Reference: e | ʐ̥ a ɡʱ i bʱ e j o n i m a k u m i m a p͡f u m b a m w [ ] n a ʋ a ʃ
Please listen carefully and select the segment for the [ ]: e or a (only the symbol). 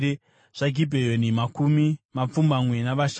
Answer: e